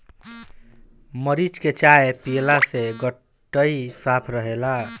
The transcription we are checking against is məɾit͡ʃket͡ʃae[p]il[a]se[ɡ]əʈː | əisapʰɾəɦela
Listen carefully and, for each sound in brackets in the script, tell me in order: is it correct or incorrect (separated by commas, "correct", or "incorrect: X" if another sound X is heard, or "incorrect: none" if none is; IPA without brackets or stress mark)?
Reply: correct, correct, correct